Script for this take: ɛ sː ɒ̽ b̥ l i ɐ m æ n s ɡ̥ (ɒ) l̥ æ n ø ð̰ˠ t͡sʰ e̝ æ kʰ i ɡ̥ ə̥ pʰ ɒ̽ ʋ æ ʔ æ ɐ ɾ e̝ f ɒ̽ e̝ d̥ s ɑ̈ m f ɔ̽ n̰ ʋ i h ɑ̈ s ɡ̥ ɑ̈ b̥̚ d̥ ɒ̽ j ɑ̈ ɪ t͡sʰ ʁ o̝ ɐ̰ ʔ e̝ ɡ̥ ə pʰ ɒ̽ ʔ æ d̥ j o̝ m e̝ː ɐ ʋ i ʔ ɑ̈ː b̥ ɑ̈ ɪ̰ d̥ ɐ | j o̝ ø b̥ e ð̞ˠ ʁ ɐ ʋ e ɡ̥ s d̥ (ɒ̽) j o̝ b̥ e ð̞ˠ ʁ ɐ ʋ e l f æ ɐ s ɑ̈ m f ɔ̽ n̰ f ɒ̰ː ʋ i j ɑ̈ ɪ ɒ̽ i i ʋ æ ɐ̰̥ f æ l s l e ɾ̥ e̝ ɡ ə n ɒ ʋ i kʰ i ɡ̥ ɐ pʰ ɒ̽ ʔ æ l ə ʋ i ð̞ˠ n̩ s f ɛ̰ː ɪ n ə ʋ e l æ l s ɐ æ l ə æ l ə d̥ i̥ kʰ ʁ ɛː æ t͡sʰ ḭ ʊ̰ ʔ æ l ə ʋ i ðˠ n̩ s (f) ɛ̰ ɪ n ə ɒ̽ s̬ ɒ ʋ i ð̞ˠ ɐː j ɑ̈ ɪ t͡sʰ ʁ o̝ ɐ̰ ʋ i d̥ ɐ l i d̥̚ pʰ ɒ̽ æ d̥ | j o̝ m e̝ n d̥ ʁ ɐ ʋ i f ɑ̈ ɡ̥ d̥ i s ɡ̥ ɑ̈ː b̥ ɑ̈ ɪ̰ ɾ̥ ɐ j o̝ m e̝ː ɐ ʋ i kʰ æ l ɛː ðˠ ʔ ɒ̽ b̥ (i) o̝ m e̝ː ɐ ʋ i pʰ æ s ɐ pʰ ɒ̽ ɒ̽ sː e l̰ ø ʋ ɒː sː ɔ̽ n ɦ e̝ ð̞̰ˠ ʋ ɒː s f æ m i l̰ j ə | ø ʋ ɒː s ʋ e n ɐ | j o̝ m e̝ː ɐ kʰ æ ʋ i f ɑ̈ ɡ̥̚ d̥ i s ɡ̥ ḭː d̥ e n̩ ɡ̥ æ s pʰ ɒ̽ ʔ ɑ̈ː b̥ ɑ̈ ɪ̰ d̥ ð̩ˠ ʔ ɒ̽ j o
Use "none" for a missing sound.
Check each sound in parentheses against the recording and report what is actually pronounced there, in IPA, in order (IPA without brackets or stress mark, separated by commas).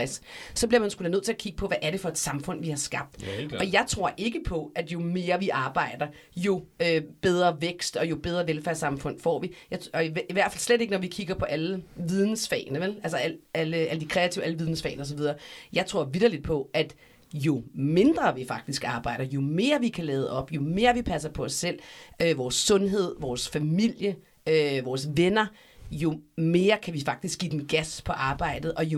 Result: u, ɒ̽, f, j